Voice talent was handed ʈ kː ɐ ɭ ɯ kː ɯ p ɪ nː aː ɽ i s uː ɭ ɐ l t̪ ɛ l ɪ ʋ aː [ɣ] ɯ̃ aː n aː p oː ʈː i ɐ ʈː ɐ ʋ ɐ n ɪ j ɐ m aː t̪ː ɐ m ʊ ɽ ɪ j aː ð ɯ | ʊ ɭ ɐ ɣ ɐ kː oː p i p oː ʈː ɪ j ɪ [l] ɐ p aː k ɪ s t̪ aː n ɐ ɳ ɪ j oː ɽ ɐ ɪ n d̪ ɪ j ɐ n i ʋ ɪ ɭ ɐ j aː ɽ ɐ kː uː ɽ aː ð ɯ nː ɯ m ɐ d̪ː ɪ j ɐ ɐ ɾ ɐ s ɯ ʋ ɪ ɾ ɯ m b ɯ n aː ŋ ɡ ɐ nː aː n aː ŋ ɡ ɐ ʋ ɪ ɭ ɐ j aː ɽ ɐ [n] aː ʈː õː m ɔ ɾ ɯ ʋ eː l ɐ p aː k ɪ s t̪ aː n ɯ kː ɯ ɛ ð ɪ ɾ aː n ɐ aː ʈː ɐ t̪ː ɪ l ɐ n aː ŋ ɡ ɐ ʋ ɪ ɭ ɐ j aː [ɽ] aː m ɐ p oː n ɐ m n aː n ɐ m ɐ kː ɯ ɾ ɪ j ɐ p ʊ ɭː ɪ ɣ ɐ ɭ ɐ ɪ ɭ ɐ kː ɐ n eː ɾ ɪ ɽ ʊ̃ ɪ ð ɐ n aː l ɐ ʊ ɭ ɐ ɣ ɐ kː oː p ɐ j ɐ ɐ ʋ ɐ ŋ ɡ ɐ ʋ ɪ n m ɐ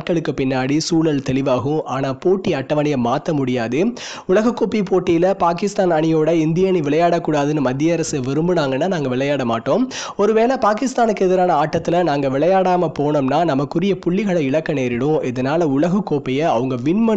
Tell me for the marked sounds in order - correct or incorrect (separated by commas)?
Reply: correct, correct, incorrect, correct